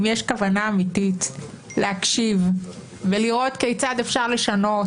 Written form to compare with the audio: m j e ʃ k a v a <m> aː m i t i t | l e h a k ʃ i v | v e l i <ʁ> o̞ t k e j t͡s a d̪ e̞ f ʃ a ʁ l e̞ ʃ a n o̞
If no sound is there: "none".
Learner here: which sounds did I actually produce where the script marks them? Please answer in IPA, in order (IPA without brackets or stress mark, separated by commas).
n, ʁ